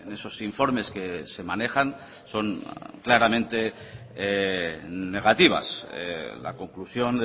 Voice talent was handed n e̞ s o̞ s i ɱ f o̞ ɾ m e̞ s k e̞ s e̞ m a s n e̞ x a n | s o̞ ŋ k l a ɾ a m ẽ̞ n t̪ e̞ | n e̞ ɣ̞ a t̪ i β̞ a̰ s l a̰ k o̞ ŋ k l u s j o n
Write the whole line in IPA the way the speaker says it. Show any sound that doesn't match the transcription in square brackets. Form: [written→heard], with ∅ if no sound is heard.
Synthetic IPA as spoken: n e̞ s o̞ s i ɱ f o̞ ɾ m e̞ s k e̞ s e̞ m a [s→∅] n e̞ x a n | s o̞ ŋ k l a ɾ a m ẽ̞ n t̪ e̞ | n e̞ ɣ̞ a t̪ i β̞ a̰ s l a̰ k o̞ ŋ k l u s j o n